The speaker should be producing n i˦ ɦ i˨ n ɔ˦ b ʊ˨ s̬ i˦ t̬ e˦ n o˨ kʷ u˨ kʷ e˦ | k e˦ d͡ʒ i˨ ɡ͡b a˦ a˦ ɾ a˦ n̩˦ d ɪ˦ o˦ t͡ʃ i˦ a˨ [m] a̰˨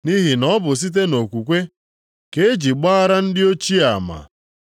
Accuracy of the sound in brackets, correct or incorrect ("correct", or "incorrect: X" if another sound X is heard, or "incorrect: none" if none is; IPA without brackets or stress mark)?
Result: correct